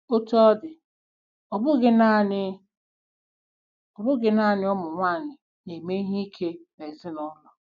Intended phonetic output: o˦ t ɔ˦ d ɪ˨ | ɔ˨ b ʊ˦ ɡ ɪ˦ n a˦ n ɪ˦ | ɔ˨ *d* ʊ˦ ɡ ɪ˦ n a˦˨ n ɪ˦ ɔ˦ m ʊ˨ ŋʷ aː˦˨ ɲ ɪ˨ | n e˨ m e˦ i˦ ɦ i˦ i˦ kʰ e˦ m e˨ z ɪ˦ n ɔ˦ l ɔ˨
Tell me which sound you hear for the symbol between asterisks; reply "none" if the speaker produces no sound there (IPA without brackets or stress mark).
b